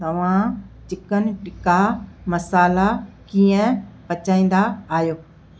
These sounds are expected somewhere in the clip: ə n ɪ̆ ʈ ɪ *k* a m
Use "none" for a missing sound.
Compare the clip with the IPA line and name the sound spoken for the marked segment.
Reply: k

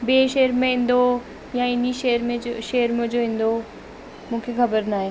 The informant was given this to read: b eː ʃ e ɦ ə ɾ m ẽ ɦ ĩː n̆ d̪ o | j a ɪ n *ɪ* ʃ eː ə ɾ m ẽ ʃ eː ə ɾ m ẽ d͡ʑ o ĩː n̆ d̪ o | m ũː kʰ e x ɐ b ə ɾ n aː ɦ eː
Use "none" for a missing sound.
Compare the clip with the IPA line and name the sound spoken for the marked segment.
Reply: i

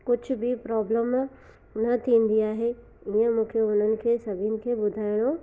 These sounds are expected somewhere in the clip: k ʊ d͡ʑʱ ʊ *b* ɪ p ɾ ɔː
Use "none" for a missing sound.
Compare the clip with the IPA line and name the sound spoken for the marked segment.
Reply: b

